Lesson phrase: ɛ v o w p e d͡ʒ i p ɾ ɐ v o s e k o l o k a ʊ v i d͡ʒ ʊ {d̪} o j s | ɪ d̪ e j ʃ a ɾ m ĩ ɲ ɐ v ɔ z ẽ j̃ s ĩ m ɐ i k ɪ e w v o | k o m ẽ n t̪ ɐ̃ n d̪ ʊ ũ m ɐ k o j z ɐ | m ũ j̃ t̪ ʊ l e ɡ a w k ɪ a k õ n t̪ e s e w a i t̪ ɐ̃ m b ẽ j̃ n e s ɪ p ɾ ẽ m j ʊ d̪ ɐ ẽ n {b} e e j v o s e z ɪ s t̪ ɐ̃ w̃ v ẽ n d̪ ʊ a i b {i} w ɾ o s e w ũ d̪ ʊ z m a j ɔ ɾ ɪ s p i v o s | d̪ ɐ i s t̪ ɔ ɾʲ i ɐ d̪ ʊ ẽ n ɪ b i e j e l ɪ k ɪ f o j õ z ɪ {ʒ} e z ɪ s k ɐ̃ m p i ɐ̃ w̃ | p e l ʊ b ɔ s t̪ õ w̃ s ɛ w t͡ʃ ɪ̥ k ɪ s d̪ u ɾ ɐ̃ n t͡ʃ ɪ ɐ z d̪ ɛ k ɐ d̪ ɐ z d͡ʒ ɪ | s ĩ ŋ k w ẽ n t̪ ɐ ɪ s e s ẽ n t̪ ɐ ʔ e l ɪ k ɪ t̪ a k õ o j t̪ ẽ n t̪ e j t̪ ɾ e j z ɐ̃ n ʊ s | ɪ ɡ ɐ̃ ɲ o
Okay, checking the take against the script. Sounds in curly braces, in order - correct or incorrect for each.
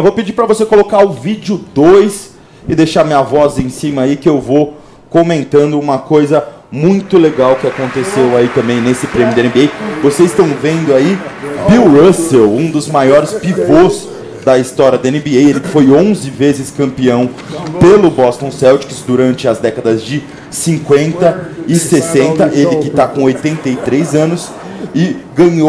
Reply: correct, correct, correct, incorrect: v

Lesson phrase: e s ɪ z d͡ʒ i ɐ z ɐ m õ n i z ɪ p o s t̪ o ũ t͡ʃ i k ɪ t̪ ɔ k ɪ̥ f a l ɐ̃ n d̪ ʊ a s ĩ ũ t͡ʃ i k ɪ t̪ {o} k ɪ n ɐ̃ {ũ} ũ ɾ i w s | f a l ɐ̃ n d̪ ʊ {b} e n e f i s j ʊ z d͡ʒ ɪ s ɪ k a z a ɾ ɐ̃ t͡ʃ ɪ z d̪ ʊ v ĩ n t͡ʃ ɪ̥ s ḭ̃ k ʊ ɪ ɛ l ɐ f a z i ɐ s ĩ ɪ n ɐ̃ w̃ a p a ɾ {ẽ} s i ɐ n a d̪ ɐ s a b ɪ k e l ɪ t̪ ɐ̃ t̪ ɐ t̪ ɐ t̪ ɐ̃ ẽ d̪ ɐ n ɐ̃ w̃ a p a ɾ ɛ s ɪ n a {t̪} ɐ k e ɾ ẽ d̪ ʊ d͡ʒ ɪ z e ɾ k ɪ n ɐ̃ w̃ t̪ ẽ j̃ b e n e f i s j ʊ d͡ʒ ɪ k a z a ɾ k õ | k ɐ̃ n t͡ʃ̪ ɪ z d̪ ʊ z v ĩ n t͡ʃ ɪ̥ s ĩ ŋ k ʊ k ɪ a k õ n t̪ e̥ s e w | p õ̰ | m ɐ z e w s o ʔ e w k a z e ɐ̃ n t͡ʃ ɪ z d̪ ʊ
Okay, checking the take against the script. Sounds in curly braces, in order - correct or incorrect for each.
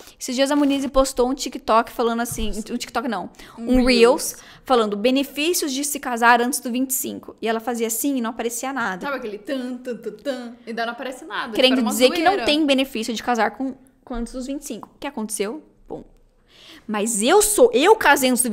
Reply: incorrect: ɔ, incorrect: w̃, correct, incorrect: e, incorrect: d̪

